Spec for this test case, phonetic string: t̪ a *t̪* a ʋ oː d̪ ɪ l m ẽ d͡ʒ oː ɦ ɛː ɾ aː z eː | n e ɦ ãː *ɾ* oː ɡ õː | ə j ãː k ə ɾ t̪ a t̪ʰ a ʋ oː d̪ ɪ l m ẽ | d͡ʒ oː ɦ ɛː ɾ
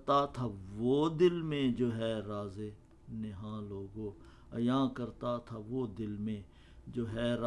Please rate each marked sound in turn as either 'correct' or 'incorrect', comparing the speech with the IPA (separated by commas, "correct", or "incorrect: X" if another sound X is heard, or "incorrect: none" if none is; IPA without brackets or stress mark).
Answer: incorrect: t̪ʰ, incorrect: l